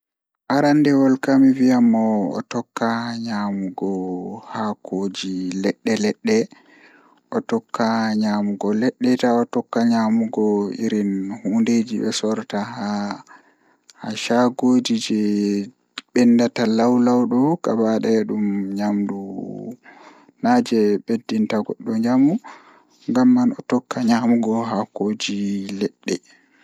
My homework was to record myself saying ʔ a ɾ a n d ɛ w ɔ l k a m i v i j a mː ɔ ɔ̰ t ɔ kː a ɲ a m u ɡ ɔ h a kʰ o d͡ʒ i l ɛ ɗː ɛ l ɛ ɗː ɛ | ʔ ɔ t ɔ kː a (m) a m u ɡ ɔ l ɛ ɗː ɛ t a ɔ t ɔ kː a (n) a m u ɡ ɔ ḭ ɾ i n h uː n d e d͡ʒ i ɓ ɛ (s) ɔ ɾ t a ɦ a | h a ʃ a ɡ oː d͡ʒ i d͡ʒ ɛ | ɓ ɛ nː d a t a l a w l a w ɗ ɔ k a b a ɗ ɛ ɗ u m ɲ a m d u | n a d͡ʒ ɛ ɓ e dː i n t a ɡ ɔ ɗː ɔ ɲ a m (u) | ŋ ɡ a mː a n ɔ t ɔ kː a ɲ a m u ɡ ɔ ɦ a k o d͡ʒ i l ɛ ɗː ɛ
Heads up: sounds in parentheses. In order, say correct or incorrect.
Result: incorrect: ɲ, incorrect: ɲ, correct, correct

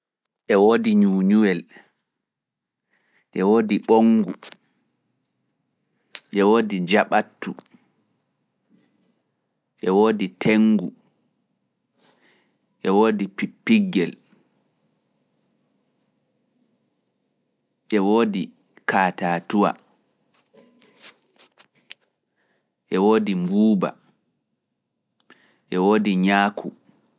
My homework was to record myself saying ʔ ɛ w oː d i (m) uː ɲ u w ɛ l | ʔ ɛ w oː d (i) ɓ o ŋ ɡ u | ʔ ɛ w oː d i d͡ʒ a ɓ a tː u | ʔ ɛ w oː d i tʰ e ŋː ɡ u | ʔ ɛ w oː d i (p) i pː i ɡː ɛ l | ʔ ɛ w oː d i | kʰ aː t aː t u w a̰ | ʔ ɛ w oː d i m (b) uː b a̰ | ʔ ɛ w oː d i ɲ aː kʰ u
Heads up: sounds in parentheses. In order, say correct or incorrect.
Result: incorrect: ɲ, correct, correct, correct

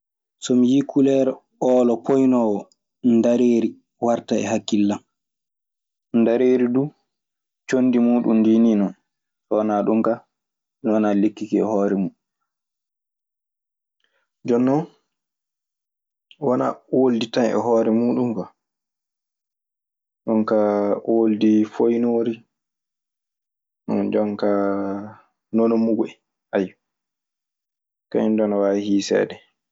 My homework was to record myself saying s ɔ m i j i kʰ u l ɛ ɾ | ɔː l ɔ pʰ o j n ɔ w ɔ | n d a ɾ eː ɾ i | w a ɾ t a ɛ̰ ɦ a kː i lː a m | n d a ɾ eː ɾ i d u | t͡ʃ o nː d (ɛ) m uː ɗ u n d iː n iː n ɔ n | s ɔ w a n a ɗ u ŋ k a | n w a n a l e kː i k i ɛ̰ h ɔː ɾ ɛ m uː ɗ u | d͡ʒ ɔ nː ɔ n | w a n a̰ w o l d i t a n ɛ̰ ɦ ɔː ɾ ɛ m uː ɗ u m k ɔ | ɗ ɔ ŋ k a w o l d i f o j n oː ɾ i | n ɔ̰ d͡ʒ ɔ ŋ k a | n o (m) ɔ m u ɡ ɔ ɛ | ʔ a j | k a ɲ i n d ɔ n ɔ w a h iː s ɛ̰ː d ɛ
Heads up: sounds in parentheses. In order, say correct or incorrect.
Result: incorrect: i, incorrect: n

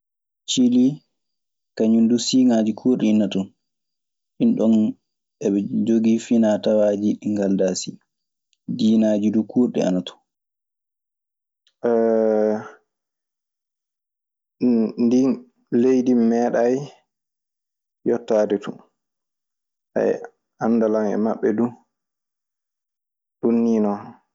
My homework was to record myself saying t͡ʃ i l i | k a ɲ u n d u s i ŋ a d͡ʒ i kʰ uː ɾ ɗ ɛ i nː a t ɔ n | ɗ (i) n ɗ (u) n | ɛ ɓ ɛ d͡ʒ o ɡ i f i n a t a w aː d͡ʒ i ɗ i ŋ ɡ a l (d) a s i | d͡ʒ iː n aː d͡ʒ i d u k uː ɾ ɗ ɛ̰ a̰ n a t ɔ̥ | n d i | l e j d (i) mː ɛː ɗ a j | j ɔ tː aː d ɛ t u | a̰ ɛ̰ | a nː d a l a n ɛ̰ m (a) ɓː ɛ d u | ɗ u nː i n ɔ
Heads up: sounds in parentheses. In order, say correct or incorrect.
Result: correct, incorrect: ɔ, correct, correct, correct

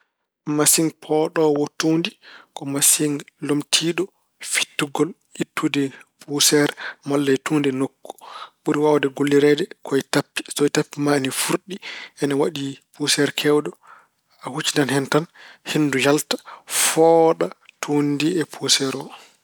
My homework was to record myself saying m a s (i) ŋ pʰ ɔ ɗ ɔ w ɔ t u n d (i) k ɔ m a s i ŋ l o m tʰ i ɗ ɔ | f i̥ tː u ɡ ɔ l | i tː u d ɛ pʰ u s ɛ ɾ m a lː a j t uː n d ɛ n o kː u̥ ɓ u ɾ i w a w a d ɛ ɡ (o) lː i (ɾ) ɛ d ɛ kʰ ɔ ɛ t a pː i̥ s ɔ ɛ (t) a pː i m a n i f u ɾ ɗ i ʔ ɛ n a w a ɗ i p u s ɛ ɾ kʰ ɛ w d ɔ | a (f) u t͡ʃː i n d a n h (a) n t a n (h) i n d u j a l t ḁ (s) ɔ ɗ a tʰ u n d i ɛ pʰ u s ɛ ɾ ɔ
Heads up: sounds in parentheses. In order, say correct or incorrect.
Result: correct, correct, correct, correct, correct, incorrect: h, incorrect: ɛ, correct, incorrect: f

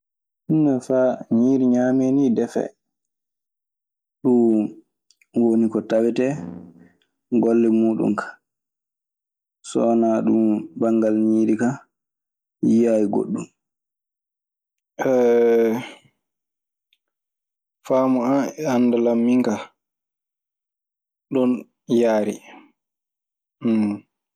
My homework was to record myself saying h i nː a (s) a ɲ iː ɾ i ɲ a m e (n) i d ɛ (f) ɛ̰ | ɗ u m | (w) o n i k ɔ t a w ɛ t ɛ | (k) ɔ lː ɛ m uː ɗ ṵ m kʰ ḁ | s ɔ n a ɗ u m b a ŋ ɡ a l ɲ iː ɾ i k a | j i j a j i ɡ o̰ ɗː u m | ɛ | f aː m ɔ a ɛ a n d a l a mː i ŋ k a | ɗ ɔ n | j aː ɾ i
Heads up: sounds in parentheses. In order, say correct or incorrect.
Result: incorrect: f, correct, correct, correct, incorrect: ɡ

